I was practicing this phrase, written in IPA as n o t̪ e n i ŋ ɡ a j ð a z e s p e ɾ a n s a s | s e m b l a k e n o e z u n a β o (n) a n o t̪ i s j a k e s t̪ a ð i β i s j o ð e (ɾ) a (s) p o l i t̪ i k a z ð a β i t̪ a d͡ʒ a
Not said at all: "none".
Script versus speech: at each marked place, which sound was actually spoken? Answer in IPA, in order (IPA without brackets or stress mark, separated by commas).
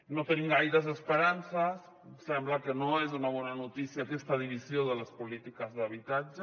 n, l, s